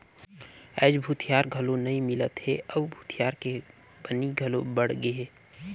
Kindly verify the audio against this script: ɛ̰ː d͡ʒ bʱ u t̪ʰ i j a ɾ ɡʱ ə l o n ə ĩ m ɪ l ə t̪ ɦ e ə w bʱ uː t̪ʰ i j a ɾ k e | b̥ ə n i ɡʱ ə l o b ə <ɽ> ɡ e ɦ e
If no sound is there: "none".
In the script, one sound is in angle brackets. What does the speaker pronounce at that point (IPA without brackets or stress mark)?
ɽ